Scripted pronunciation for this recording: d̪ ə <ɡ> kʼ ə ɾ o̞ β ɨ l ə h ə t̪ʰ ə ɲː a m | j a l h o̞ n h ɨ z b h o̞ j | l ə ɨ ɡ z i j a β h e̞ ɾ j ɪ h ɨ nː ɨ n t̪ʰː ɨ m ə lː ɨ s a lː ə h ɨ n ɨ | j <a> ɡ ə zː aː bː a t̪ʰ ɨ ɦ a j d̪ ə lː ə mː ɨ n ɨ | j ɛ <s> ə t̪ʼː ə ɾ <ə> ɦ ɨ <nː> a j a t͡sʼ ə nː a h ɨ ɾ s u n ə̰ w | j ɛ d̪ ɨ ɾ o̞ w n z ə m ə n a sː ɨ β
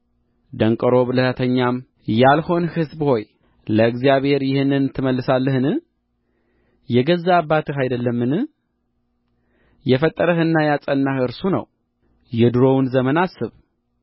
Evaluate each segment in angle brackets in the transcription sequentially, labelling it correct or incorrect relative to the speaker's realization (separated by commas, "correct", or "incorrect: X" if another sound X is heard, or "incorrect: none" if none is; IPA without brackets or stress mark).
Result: incorrect: ŋ, incorrect: ɛ, incorrect: f, correct, correct